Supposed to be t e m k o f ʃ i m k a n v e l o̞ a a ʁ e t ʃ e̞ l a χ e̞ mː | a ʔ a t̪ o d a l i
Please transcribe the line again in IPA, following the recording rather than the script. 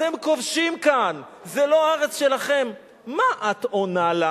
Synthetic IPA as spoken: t e m k o v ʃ i m k a n z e l o̞ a a ʁ e t͡s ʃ e̞ l a χ e̞ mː | a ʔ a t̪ o n a l a